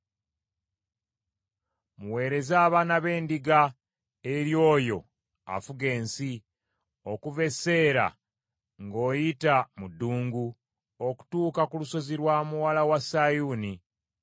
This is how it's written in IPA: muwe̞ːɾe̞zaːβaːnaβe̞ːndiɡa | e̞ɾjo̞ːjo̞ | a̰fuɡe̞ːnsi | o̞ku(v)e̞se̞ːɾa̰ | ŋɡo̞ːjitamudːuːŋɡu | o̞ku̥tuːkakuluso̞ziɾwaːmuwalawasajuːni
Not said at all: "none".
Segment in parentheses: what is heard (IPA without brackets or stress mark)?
v